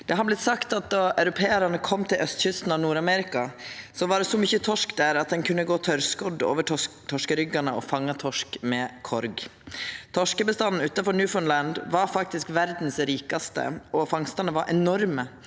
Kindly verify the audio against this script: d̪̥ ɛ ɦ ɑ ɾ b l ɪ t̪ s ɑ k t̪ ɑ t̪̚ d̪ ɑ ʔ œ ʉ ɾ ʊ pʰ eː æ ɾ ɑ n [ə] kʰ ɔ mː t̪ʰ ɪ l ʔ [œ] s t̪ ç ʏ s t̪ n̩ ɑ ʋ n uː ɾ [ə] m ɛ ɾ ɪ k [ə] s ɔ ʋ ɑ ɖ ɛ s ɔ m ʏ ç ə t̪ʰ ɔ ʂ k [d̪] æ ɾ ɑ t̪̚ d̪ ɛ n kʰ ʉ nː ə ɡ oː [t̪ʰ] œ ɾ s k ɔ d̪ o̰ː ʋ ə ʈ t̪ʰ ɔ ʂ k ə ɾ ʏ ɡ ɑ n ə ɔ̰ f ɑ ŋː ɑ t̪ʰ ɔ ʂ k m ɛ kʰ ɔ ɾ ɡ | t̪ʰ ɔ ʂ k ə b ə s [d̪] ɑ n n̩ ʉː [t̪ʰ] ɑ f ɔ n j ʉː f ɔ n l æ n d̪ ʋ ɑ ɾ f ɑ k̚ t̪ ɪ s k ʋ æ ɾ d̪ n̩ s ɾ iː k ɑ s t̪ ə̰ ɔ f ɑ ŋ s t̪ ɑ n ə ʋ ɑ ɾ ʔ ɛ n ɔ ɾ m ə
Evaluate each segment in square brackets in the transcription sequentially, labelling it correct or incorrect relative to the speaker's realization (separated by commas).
correct, correct, incorrect, incorrect, correct, correct, incorrect, incorrect